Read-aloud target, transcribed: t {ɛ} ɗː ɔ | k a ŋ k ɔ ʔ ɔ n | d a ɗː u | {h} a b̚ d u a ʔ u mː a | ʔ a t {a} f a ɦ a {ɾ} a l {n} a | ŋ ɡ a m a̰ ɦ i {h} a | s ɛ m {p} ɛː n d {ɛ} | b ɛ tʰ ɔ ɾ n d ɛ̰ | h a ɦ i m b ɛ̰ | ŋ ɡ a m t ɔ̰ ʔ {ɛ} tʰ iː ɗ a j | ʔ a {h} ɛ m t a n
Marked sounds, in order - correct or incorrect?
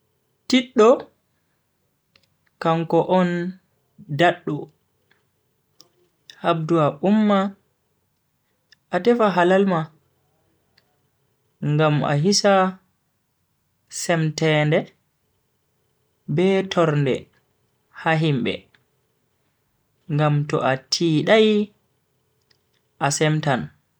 incorrect, correct, incorrect, incorrect, incorrect, incorrect, incorrect, correct, incorrect, incorrect

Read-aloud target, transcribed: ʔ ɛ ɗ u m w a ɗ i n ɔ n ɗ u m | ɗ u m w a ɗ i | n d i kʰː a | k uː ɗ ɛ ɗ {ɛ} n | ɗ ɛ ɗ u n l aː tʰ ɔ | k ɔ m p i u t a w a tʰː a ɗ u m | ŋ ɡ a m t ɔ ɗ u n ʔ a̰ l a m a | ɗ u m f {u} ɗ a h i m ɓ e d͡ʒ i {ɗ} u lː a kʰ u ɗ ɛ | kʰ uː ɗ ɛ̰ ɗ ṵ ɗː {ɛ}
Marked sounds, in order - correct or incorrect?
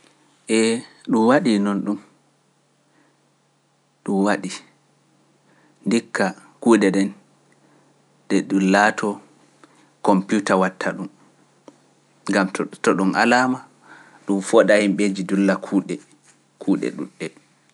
correct, incorrect, incorrect, correct

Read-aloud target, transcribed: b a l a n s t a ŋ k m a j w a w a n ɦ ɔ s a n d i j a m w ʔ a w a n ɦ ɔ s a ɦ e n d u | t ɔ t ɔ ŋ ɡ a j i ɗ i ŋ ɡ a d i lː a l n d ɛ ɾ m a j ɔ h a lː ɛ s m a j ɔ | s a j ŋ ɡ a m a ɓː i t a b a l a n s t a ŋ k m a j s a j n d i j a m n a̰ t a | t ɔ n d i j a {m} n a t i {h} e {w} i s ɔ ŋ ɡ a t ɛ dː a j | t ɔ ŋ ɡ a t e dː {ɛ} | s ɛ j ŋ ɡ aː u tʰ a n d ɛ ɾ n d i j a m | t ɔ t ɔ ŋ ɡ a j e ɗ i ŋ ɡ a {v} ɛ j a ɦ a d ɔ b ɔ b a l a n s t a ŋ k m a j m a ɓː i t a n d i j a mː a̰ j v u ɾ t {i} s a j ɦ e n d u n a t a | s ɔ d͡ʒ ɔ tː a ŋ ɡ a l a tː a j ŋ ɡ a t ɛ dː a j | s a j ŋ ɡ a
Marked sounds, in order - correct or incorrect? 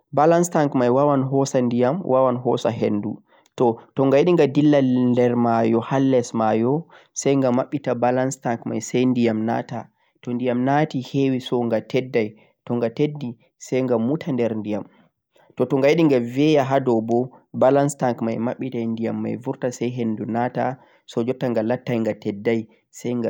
correct, correct, correct, incorrect, correct, incorrect

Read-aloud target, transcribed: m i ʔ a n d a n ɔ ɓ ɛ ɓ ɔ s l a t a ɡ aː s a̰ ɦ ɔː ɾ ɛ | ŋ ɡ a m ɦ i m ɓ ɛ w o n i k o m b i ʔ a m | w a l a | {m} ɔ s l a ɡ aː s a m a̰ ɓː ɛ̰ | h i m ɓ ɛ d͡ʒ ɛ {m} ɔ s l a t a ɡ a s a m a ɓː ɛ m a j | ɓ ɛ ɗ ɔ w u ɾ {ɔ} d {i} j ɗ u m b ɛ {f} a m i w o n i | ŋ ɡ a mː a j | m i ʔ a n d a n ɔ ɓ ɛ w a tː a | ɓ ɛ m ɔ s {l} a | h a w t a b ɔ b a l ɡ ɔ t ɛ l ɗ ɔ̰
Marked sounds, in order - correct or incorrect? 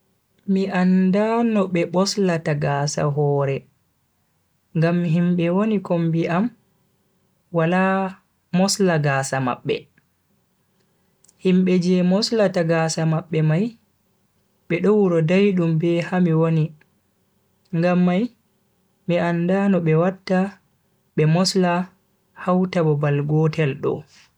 correct, correct, correct, incorrect, incorrect, correct

